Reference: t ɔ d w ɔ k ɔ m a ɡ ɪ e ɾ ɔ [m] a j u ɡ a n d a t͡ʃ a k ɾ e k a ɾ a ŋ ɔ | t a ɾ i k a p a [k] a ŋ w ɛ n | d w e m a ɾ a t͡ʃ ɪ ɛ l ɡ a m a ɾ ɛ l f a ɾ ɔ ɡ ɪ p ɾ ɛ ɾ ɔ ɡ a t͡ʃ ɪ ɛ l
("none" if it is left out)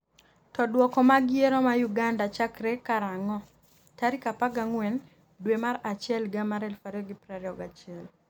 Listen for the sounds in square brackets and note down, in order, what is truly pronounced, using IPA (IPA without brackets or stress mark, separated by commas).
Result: m, ɡ